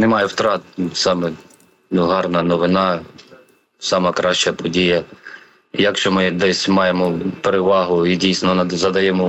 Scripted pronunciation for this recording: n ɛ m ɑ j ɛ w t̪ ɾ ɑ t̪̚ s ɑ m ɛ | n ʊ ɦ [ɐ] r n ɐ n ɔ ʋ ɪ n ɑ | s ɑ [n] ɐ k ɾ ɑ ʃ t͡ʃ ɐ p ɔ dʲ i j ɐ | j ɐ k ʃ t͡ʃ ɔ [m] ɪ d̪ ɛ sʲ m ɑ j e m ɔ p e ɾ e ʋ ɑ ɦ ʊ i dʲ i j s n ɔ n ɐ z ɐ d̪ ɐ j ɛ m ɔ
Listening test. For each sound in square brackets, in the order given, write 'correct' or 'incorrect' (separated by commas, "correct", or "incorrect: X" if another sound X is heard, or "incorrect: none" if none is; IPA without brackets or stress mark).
incorrect: ɑ, incorrect: m, correct